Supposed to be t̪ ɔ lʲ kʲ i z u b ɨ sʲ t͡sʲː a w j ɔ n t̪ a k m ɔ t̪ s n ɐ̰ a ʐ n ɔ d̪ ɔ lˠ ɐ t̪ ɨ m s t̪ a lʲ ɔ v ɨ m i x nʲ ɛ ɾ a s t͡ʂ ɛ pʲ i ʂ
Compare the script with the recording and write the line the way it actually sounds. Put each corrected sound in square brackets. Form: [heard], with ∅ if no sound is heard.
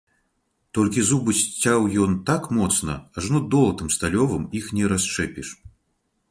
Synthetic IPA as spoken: t̪ ɔ lʲ kʲ i z u b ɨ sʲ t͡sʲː a w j ɔ n t̪ a k m ɔ t̪ s n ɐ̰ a ʐ n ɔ d̪ ɔ lˠ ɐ t̪ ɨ m s t̪ a lʲ ɔ v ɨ m i x nʲ ɛ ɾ a s t͡ʂ ɛ pʲ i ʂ